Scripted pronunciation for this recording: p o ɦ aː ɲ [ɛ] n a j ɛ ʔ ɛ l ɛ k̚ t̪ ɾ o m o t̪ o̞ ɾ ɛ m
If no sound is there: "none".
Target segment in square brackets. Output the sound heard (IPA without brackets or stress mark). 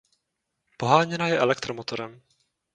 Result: ɛ